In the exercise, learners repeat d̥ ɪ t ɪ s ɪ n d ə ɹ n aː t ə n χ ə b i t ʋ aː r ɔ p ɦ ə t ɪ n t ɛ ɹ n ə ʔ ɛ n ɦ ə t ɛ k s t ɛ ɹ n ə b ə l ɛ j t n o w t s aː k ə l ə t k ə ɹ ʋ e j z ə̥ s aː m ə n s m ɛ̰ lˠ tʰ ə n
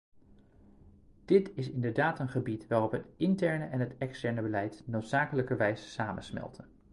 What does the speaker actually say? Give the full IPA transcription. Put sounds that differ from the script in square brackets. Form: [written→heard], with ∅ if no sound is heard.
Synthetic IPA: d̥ ɪ t ɪ s ɪ n d ə ɹ [n→d] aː t ə n χ ə b i t ʋ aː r ɔ p ɦ ə t ɪ n t ɛ ɹ n ə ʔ ɛ n ɦ ə t ɛ k s t ɛ ɹ n ə b ə l ɛ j t n o w t s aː k ə l ə [t→∅] k ə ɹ ʋ [e→ɛ] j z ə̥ s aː m ə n s m ɛ̰ lˠ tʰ ə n

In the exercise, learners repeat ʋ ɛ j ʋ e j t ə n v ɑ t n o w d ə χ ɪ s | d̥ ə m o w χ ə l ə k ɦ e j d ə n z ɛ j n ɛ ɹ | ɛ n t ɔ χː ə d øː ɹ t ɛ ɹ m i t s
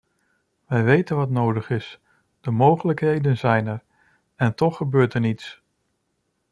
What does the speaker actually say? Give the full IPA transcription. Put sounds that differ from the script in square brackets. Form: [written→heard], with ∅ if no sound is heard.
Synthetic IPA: ʋ ɛ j ʋ e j t ə n [v→ʋ] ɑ t n o w d ə χ ɪ s | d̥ ə m o w χ ə l ə k ɦ e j d ə n z ɛ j n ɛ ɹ | ɛ n t ɔ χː ə [d→b] øː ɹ t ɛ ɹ [m→n] i t s

